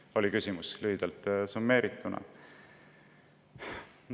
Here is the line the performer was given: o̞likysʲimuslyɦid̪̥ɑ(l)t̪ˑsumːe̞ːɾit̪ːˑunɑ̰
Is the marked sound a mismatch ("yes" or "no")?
no